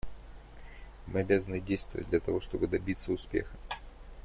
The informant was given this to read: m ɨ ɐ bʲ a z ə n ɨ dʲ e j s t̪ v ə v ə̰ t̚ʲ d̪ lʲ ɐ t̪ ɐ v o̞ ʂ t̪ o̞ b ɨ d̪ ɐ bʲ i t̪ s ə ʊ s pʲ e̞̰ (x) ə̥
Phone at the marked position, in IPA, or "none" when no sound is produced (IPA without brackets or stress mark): x